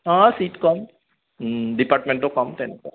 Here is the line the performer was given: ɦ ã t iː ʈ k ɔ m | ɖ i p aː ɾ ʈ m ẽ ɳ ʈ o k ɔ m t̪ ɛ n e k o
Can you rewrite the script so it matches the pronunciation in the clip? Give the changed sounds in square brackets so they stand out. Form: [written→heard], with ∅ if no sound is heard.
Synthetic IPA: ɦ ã [t→s] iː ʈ k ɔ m | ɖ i p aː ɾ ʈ m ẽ ɳ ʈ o k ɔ m t̪ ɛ n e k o